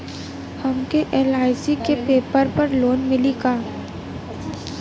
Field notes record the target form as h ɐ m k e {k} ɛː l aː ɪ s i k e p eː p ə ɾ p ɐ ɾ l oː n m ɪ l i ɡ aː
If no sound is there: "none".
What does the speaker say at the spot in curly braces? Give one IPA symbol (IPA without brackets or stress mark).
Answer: ʔ